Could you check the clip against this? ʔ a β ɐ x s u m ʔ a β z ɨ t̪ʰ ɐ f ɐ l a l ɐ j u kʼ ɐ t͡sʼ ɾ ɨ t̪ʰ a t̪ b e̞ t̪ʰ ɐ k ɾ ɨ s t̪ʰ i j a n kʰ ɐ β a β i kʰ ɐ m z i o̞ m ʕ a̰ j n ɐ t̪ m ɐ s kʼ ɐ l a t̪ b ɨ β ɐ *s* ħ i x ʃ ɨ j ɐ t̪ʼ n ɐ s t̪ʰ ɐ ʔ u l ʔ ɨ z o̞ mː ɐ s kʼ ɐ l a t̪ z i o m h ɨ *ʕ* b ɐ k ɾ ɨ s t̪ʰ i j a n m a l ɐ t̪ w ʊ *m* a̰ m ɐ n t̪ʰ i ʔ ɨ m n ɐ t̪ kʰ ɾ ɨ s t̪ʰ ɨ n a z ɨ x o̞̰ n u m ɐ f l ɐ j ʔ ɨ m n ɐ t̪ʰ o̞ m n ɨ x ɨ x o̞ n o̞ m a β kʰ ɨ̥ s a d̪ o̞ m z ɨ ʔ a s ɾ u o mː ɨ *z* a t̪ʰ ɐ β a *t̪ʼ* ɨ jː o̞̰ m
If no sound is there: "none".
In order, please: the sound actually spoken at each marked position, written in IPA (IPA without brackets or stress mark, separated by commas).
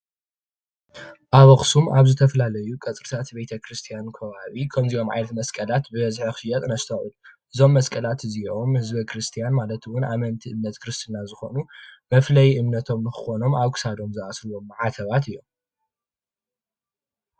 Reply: z, z, n, ʕ, t̪